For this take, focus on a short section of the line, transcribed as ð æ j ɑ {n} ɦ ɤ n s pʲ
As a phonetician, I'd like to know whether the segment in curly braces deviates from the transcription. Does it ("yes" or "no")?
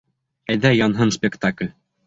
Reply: no